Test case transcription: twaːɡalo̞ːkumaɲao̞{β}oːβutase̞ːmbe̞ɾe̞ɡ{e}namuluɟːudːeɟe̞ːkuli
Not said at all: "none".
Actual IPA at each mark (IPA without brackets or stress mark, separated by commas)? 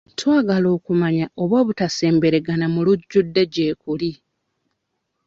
β, a